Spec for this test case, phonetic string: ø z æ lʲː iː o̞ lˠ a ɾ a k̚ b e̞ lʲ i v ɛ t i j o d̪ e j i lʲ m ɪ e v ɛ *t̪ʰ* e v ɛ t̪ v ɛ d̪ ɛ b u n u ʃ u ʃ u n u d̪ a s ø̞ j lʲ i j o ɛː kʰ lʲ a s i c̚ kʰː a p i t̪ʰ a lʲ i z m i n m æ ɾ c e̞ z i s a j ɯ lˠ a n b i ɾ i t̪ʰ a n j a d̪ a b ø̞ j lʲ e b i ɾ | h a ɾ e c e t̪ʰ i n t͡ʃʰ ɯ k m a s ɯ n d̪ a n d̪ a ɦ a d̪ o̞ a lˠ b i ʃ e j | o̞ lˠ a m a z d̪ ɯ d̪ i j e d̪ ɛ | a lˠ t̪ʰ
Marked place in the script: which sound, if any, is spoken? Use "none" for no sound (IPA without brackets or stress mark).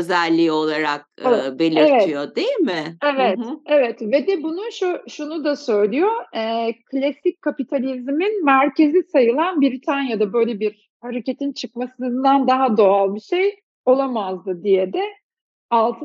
t̪